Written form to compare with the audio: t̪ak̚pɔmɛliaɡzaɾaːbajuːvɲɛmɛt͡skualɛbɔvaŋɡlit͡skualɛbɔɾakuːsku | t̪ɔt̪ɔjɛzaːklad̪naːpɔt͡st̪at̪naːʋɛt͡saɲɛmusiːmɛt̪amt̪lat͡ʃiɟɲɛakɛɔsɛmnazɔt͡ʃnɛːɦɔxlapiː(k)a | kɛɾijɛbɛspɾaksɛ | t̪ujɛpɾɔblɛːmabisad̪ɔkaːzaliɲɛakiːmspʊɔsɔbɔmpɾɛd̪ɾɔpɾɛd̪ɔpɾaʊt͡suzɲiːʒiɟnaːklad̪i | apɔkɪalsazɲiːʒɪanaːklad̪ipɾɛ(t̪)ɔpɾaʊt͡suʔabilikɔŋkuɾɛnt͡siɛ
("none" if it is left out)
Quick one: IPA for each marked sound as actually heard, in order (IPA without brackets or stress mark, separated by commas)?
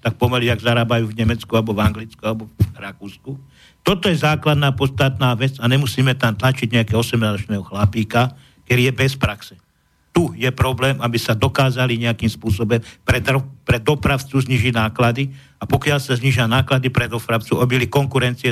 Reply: k, d̪